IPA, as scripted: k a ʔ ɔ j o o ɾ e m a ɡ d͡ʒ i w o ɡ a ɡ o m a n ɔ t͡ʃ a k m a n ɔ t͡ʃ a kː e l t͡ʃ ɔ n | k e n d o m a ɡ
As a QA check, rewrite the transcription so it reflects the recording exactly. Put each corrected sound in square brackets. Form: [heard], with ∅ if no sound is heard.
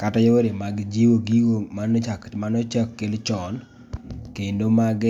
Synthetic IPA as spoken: k a [t] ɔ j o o ɾ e m a ɡ d͡ʒ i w o ɡ [i] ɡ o m a n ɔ t͡ʃ a k m a n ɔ t͡ʃ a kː e l t͡ʃ ɔ n | k e n d o m a ɡ

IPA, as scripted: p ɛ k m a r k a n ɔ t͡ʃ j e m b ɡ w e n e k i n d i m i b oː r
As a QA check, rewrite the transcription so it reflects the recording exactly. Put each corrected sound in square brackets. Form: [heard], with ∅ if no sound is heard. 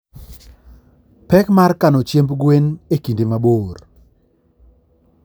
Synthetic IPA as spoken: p ɛ k m a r k a n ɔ t͡ʃ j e m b ɡ w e n e k i n d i m [a] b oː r

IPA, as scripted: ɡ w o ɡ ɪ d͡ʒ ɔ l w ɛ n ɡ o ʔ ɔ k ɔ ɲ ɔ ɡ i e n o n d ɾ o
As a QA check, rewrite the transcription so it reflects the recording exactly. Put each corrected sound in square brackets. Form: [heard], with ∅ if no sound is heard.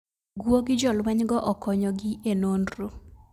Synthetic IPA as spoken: ɡ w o ɡ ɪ d͡ʒ ɔ l w ɛ [ɲ] ɡ [ɔ] ʔ ɔ k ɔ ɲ ɔ ɡ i e n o n d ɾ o

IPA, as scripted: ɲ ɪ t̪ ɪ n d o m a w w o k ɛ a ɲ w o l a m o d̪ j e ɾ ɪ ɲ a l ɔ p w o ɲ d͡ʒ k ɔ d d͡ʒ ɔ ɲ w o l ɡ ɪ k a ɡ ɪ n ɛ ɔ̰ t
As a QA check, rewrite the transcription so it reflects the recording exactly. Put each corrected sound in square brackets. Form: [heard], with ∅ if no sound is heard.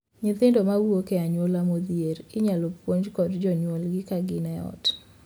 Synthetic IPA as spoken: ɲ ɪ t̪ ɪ n d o m a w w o k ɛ a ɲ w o l a m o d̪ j e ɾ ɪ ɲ a l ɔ p w o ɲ d͡ʒ k ɔ d d͡ʒ ɔ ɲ w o l ɡ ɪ k a ɡ ɪ n ɛ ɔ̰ t

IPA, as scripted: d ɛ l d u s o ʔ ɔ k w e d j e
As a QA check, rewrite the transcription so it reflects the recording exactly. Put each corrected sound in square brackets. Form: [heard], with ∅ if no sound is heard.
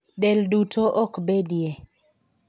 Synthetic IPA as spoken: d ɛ l d u [t] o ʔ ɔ k [b] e d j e

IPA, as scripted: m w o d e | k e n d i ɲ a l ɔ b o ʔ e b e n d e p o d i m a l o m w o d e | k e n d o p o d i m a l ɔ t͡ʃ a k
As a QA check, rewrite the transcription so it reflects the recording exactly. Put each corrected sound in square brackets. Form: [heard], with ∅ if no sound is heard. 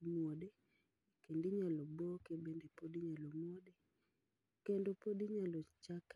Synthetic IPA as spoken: m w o d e | k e n d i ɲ a l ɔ b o [k] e b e n d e p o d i [ɲ] a l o m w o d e | k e n d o p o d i [ɲ] a l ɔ t͡ʃ a k

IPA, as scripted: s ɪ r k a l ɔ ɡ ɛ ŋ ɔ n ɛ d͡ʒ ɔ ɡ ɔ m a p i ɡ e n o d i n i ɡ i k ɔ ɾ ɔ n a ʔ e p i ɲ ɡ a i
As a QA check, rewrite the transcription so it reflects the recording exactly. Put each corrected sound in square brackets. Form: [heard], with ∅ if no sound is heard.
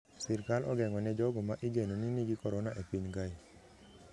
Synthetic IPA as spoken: s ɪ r k a l ɔ ɡ ɛ ŋ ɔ n ɛ d͡ʒ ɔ ɡ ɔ m a [ʔ] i ɡ e n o [n] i n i ɡ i k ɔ ɾ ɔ n a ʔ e p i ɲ ɡ a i

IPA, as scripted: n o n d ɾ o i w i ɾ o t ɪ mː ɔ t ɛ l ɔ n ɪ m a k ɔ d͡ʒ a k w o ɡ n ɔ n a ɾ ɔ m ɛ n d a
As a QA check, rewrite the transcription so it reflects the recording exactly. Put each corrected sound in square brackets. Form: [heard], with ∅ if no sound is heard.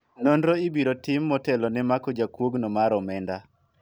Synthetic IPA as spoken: n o n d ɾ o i [b] i ɾ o t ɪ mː ɔ t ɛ l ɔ n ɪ m a k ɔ d͡ʒ a k w o ɡ n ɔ [m] a ɾ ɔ m ɛ n d a

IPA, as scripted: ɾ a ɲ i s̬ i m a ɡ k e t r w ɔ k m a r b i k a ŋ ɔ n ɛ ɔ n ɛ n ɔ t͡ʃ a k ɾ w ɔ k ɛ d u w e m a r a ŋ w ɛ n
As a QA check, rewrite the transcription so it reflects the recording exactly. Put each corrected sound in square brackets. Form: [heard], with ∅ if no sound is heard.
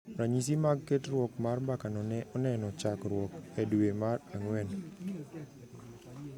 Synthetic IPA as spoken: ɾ a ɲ i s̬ i m a ɡ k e t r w ɔ k m a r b [a] k a [n] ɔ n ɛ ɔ n ɛ n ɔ t͡ʃ a k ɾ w ɔ k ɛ d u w e m a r a ŋ w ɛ n

